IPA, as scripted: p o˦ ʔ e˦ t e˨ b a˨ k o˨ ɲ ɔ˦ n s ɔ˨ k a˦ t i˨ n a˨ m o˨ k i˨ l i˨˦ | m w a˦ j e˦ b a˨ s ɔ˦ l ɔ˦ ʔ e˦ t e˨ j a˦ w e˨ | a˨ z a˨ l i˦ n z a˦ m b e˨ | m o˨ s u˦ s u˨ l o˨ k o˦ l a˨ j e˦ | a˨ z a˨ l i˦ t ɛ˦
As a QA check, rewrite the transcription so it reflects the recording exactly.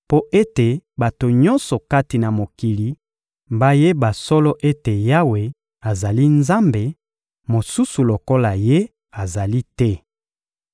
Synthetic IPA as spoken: p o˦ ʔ e˦ t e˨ b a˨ t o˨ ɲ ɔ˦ n s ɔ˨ k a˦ t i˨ n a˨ m o˨ k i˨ l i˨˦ | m b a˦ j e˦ b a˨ s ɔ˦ l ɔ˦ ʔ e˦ t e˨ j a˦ w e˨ | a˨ z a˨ l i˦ n z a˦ m b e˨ | m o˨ s u˦ s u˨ l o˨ k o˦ l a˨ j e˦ | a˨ z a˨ l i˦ t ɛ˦